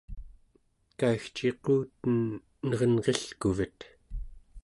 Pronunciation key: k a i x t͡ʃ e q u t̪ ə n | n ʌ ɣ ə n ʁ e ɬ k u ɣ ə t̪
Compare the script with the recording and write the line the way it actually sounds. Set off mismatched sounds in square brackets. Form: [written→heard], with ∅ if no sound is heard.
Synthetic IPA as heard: k a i x t͡ʃ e q [u→uː] t̪ ə n | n ʌ [ɣ→ʁ] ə n ʁ e ɬ k u [ɣ→v] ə t̪

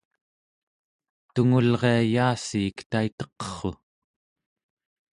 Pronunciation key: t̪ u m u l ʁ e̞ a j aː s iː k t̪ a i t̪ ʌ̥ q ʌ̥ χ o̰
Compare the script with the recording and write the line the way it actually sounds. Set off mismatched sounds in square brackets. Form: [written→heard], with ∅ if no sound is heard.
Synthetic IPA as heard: t̪ u [m→ŋ] u l ʁ e̞ a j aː s iː k t̪ a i t̪ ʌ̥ q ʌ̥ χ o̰

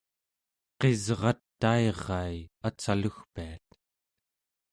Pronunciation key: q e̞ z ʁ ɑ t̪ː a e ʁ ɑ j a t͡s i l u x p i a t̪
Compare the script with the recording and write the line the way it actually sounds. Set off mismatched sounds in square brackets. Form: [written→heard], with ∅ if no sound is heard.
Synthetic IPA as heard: q e̞ z ʁ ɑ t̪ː a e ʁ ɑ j a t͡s [i→a] l u x p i a t̪

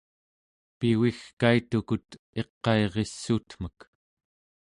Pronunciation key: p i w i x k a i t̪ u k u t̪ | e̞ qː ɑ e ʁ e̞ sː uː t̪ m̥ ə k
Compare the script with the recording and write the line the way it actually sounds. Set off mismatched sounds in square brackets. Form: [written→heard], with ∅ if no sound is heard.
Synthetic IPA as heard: p i w i x k a i t̪ u k u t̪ | e̞ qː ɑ e ʁ e̞ sː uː t̪ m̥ ə k

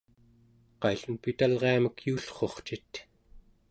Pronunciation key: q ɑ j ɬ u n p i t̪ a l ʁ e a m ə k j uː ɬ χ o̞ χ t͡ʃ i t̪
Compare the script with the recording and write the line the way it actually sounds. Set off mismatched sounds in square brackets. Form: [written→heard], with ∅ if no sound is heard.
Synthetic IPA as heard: q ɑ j ɬ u n p i t̪ a l ʁ e a m ə k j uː ɬ χ o̞ χ t͡ʃ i t̪

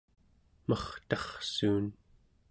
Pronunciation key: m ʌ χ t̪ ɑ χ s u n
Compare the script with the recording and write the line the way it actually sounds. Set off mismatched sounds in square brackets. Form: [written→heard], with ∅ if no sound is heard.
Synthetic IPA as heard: m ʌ χ t̪ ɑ χ s [u→uː] n

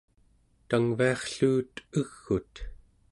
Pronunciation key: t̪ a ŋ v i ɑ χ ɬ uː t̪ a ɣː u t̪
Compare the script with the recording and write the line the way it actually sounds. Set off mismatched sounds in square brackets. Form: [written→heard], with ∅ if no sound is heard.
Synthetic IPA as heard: t̪ a ŋ v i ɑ χ ɬ uː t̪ [a→ə] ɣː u t̪

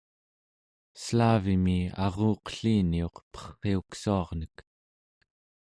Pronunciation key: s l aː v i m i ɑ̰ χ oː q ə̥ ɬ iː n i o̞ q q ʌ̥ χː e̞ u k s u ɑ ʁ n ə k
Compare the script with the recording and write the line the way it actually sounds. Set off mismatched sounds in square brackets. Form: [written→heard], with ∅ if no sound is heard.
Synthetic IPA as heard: s l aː v i m i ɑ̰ [χ→ʁ] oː q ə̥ ɬ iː n i o̞ q [q→p] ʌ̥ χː e̞ u k s u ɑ ʁ n ə k

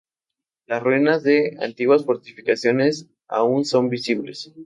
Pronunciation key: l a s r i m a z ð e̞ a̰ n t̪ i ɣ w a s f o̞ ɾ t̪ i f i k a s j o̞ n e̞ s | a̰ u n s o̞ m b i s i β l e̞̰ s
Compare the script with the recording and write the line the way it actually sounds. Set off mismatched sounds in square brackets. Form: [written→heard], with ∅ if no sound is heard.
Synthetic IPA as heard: l a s r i [m→n] a z ð e̞ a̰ n t̪ i ɣ w a s f o̞ ɾ t̪ i f i k a s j o̞ n e̞ s | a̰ u n s o̞ m b i s i β l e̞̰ s

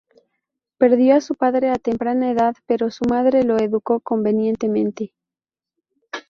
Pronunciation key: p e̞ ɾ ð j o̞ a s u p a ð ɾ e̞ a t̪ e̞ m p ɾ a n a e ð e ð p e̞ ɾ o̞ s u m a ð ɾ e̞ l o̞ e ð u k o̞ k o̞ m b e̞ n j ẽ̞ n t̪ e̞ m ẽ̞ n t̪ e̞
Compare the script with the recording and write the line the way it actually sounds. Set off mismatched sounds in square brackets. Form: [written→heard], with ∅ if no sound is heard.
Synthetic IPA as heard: p e̞ ɾ ð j o̞ a s u p a ð ɾ e̞ a t̪ e̞ m p ɾ a n a e ð [e→a] ð p e̞ ɾ o̞ s u m a ð ɾ e̞ l o̞ e ð u k o̞ k o̞ m b e̞ n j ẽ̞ n t̪ e̞ m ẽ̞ n t̪ e̞

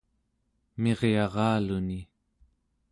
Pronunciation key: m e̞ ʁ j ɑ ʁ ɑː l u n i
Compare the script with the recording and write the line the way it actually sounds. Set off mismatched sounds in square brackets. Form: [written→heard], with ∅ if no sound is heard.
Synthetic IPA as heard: m e̞ ʁ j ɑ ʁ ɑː l u n i

